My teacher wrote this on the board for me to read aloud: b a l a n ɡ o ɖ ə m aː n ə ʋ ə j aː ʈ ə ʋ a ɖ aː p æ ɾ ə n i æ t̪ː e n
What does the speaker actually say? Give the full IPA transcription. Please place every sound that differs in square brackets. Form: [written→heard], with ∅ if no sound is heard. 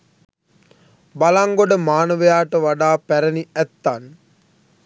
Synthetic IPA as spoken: b a l a [n→ŋ] ɡ o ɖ ə m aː n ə ʋ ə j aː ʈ ə ʋ a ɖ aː p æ ɾ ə n i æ t̪ː [e→a] n